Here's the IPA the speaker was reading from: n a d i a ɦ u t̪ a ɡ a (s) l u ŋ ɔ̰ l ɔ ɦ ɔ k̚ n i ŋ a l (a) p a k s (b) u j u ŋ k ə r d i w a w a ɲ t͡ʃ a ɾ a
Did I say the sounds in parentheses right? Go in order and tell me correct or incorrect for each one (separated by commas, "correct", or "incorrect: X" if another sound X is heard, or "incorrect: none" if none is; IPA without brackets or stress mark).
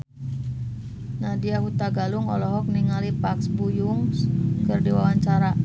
incorrect: none, incorrect: i, correct